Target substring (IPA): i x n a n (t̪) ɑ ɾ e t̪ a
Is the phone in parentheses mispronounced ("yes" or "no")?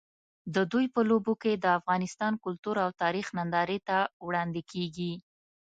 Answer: yes